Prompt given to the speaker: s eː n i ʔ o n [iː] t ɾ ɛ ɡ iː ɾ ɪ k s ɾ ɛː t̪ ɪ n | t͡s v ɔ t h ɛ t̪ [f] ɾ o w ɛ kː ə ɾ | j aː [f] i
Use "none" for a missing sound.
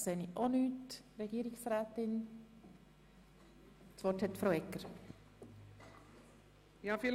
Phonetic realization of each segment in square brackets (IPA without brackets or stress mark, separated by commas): yː, f, f